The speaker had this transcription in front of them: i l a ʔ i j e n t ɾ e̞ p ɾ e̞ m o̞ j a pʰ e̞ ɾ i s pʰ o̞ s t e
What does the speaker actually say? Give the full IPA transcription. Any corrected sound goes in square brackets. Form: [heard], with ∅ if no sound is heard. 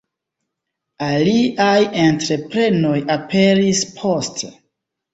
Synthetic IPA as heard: [a] l [i] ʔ [a] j e n t ɾ e̞ p ɾ e̞ [n] o̞ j a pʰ e̞ ɾ i s pʰ o̞ s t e